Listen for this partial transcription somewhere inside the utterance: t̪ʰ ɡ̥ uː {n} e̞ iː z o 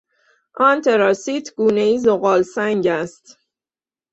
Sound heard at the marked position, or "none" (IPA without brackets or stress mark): n